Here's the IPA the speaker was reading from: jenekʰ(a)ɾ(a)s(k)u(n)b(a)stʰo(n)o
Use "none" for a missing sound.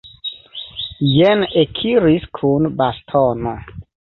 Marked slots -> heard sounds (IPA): i, i, kʰ, n, a, n

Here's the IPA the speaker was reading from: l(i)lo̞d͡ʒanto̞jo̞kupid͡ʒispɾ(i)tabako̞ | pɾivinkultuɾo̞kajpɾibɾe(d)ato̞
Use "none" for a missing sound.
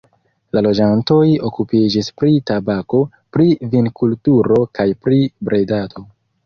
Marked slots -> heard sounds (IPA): a, i, d

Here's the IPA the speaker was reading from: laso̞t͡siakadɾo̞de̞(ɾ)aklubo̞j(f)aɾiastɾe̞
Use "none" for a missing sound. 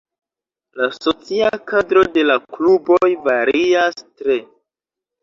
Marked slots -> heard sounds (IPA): l, v

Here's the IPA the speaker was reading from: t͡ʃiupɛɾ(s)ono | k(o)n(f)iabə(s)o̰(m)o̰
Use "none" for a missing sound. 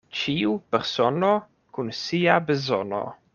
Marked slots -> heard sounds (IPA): s, u, s, z, n

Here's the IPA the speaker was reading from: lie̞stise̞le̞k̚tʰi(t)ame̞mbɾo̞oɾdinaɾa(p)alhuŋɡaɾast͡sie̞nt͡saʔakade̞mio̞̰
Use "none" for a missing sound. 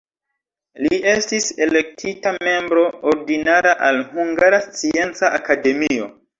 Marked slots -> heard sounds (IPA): t, ʔ

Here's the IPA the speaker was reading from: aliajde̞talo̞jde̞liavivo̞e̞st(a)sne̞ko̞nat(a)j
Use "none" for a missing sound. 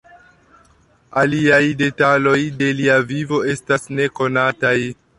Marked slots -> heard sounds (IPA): a, a

